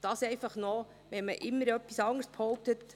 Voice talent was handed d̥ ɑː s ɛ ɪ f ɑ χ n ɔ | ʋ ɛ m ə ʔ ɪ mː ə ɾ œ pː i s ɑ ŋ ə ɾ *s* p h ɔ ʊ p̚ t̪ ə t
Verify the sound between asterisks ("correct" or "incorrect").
correct